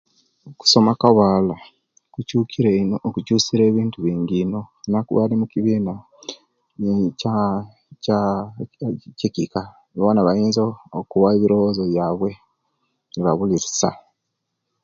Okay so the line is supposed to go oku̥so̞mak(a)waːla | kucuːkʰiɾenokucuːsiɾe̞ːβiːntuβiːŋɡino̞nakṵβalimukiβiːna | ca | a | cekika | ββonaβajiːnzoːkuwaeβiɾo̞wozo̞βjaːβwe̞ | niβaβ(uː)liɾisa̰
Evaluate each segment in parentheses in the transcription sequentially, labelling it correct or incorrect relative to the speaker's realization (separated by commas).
correct, incorrect